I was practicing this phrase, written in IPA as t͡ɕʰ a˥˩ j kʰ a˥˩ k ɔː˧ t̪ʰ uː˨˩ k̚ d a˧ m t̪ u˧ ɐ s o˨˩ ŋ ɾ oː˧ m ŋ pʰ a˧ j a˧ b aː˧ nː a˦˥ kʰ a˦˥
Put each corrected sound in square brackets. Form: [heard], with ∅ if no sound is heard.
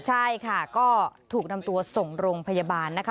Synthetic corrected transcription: t͡ɕʰ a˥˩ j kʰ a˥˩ k [ɔː˥˩] t̪ʰ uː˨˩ k̚ [n] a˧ m t̪ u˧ ɐ s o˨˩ ŋ ɾ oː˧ [∅] ŋ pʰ a˧ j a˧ b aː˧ nː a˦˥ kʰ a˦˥